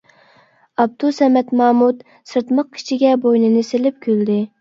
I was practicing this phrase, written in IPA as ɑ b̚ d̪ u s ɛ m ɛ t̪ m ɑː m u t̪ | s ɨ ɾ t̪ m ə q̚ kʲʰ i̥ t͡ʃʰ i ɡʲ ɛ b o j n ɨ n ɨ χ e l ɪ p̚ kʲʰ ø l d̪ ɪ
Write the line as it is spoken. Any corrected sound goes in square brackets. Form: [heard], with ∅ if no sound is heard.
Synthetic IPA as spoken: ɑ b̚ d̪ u s ɛ m ɛ t̪ m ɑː m u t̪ | s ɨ ɾ t̪ m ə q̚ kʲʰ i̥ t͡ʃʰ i ɡʲ ɛ b o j n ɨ n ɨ [s] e l ɪ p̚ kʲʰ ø l d̪ ɪ